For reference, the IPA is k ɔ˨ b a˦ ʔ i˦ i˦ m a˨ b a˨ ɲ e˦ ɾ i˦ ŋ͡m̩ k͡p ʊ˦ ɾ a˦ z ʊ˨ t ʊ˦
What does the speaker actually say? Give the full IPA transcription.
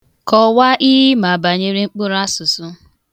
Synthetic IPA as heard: k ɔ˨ w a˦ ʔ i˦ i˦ m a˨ b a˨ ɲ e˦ ɾ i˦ ŋ͡m̩ k͡p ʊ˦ ɾ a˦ s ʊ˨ s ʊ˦